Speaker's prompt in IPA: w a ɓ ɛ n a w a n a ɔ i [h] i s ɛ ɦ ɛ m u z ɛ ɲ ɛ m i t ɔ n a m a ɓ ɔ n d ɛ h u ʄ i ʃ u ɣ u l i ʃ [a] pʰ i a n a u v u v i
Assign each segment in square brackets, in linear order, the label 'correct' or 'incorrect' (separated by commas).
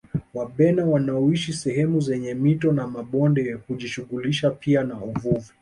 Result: incorrect, correct